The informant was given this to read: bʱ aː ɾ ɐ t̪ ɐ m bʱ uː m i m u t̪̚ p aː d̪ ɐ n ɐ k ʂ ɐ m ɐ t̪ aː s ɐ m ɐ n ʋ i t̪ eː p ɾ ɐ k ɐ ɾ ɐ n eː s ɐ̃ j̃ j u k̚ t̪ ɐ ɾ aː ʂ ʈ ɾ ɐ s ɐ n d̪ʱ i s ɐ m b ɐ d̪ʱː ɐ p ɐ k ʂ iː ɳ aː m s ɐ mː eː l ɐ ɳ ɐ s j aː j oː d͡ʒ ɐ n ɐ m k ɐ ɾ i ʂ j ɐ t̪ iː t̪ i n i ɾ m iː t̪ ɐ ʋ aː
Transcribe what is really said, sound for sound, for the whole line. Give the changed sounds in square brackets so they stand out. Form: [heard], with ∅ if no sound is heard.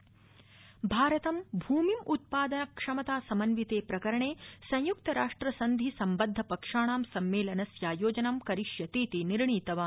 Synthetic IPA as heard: bʱ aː ɾ ɐ t̪ ɐ m bʱ uː m i m u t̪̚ p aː d̪ ɐ n ɐ k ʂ ɐ m ɐ t̪ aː s ɐ m ɐ n ʋ i t̪ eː p ɾ ɐ k ɐ ɾ ɐ [ɳ] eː s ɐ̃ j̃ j u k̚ t̪ ɐ ɾ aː ʂ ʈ ɾ ɐ s ɐ n d̪ʱ i s ɐ m b ɐ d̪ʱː ɐ p ɐ k ʂ [aː] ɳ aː m s ɐ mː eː l ɐ [n] ɐ s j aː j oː d͡ʒ ɐ n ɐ m k ɐ ɾ i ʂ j ɐ t̪ iː t̪ i n i ɾ [ɳ] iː t̪ ɐ ʋ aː